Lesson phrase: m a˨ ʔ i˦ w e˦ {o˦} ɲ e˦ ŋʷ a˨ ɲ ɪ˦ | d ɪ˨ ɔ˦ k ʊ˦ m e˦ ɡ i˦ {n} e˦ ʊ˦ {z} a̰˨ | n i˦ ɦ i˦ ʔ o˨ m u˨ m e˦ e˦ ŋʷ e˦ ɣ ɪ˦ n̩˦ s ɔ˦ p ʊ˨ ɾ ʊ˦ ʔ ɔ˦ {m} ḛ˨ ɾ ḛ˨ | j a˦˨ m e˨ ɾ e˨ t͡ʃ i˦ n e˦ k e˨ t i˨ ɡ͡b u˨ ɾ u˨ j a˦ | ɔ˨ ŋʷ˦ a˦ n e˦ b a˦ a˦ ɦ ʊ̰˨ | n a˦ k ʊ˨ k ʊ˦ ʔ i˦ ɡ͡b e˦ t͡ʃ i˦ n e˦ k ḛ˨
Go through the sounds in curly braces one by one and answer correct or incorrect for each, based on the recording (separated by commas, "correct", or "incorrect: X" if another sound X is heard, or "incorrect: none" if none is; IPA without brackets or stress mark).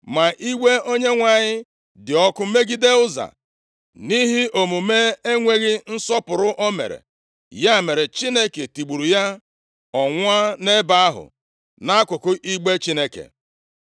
correct, incorrect: d, correct, correct